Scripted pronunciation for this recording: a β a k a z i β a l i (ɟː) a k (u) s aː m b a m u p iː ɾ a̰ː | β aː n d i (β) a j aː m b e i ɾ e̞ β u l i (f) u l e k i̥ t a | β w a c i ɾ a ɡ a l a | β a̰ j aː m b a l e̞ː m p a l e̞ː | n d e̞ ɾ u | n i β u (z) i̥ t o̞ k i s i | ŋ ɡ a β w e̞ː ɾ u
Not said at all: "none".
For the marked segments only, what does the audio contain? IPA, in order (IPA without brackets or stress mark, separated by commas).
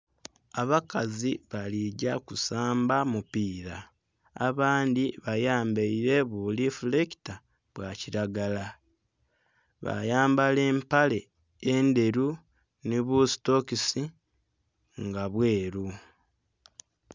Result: ɟ, u, β, f, s